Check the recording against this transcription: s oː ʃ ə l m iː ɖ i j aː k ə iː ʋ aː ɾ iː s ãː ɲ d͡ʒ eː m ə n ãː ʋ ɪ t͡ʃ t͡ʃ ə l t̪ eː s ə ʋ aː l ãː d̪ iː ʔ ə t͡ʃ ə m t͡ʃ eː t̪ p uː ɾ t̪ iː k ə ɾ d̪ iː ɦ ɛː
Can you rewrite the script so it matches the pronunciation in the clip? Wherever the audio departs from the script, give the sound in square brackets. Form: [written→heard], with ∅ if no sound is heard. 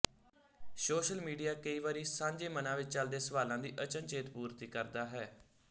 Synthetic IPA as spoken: s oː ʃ ə l m iː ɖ i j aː k ə iː ʋ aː ɾ iː s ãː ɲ d͡ʒ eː m ə n ãː ʋ ɪ t͡ʃ t͡ʃ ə l [t̪→d̪] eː s ə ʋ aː l ãː d̪ iː ʔ ə t͡ʃ ə [m→n] t͡ʃ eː t̪ p uː ɾ t̪ iː k ə ɾ d̪ [iː→aː] ɦ ɛː